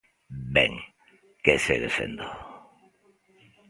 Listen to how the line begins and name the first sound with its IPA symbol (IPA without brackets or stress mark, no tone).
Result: b